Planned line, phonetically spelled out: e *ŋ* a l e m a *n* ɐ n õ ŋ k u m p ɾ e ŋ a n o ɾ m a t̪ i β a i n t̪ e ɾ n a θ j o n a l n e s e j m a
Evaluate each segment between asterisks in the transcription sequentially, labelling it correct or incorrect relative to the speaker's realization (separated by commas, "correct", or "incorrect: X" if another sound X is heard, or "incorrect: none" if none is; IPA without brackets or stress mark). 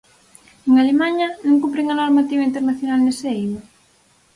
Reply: correct, incorrect: ɲ